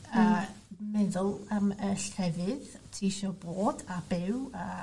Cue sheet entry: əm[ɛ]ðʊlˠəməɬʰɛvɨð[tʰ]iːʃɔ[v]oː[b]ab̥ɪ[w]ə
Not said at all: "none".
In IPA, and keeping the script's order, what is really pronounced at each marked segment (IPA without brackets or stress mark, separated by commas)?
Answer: ɛ, tʰ, b, d, w